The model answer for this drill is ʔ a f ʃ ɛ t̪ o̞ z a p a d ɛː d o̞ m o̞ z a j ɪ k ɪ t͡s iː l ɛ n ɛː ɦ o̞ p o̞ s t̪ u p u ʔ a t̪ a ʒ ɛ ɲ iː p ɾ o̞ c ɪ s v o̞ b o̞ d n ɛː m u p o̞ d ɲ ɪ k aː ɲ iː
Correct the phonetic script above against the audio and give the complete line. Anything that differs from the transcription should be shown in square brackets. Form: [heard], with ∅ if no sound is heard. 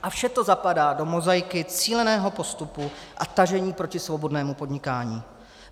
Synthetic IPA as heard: ʔ a f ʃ ɛ t̪ o̞ z a p a d [aː] d o̞ m o̞ z a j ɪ k ɪ t͡s iː l ɛ n ɛː ɦ o̞ p o̞ s t̪ u p u ʔ a t̪ a ʒ ɛ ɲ iː p ɾ o̞ c ɪ s v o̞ b o̞ d n ɛː m u p o̞ d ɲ ɪ k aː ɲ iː